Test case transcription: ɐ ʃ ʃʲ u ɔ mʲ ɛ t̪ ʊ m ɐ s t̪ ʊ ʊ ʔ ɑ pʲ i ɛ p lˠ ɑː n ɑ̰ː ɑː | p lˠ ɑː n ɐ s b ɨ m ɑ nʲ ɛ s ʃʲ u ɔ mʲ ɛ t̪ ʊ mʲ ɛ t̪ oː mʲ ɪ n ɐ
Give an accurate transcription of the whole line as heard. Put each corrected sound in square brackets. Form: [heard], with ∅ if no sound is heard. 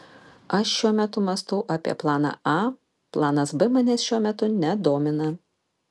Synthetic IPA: ɐ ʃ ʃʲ u ɔ mʲ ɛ t̪ ʊ m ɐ s t̪ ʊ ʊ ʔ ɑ pʲ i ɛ p lˠ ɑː n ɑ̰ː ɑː | p lˠ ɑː n ɐ s b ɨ m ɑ nʲ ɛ s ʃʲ u ɔ mʲ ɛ t̪ ʊ [nʲ] ɛ [d̪] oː mʲ ɪ n ɐ

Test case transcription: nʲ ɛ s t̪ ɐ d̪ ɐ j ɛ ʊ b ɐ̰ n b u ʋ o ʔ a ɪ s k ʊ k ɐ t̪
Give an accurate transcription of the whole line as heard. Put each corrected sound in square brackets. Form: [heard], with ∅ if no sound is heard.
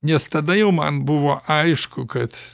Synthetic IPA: nʲ ɛ s t̪ ɐ d̪ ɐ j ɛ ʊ [m] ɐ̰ n b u ʋ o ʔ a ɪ [ʃ] k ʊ k ɐ t̪

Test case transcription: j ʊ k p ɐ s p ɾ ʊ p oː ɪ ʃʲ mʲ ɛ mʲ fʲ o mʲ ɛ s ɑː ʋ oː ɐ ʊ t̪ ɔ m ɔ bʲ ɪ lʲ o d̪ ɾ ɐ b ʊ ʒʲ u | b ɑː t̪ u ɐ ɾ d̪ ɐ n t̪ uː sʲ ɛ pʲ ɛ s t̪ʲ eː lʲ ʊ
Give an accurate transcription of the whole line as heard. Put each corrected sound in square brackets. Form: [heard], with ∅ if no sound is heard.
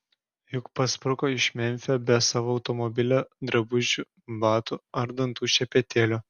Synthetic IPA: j ʊ k p ɐ s p ɾ ʊ [k] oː ɪ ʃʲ mʲ ɛ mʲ fʲ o [bʲ] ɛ s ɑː ʋ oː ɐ ʊ t̪ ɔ m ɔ bʲ ɪ lʲ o d̪ ɾ ɐ b ʊ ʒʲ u | b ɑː t̪ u ɐ ɾ d̪ ɐ n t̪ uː [ʃʲ] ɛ pʲ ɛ [∅] t̪ʲ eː lʲ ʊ

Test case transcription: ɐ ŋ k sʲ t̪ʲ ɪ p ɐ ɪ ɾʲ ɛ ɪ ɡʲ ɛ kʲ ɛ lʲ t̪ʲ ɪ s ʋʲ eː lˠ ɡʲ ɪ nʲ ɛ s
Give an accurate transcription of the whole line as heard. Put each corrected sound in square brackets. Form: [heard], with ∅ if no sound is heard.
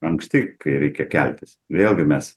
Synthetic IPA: ɐ ŋ k sʲ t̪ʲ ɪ [k] ɐ ɪ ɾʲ ɛ ɪ [kʲ] ɛ kʲ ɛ lʲ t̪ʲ ɪ s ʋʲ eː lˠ ɡʲ ɪ [mʲ] ɛ s

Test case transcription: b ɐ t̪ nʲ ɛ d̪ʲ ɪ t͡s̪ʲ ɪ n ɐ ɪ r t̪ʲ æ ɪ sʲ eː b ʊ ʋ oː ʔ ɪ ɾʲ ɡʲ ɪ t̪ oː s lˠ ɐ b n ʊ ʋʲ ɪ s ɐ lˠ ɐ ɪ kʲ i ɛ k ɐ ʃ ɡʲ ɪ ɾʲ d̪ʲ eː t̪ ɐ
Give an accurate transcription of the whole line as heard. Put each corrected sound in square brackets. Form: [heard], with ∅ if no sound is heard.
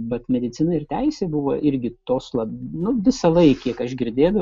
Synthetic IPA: b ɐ t̪ [mʲ] ɛ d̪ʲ ɪ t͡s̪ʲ ɪ n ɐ ɪ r t̪ʲ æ ɪ sʲ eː b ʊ ʋ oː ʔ ɪ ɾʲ ɡʲ ɪ t̪ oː s lˠ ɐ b n ʊ ʋʲ ɪ s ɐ lˠ ɐ ɪ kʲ i ɛ k ɐ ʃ ɡʲ ɪ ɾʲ d̪ʲ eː [d̪] ɐ

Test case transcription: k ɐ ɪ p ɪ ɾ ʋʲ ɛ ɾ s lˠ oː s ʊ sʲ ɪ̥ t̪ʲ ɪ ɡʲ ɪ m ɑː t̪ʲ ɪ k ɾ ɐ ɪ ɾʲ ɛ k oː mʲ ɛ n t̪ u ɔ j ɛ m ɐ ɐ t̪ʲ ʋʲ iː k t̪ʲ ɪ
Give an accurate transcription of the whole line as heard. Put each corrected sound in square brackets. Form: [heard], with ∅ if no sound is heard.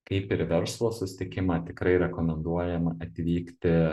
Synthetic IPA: k ɐ ɪ p ɪ ɾ ʋʲ ɛ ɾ s lˠ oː s ʊ sʲ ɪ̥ t̪ʲ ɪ [kʲ] ɪ m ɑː t̪ʲ ɪ k ɾ ɐ ɪ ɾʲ ɛ k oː mʲ ɛ n [d̪] u ɔ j ɛ m ɐ ɐ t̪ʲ ʋʲ iː k t̪ʲ ɪ

